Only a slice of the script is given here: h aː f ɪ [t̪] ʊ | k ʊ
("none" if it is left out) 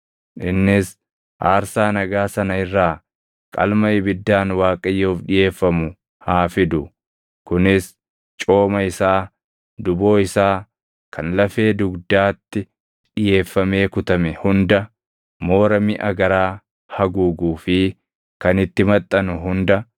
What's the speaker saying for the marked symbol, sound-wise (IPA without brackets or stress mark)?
d̪